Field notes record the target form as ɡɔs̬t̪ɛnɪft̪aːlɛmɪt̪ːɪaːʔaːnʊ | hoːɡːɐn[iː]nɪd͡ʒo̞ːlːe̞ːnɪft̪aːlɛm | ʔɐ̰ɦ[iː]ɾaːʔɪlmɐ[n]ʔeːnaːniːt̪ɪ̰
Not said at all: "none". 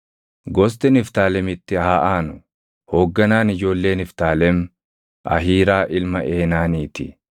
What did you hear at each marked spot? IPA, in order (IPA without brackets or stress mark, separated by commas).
aː, iː, none